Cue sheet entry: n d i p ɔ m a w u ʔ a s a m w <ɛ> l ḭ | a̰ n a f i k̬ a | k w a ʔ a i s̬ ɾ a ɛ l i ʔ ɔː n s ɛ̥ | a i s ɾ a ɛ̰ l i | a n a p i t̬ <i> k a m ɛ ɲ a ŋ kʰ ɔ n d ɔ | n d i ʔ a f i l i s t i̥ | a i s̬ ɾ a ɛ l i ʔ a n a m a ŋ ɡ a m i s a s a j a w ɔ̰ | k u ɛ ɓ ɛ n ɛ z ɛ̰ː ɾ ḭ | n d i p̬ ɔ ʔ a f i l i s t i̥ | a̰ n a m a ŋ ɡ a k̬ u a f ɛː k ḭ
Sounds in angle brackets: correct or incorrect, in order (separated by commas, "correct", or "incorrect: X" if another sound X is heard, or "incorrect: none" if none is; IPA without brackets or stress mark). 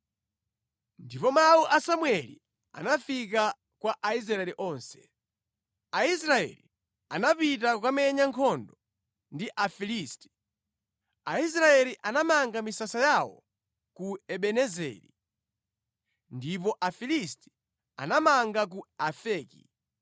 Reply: correct, incorrect: a